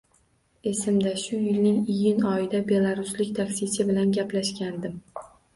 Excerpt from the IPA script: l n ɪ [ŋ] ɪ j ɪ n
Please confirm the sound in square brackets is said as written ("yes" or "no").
yes